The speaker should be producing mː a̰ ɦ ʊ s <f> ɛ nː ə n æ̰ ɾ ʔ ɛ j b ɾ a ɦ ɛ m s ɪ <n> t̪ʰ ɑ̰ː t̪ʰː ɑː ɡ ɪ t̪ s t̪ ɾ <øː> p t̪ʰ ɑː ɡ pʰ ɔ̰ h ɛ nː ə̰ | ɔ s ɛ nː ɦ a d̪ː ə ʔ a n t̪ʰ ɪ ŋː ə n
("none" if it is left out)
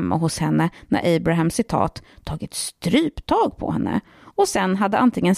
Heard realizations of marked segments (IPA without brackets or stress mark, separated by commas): h, none, yː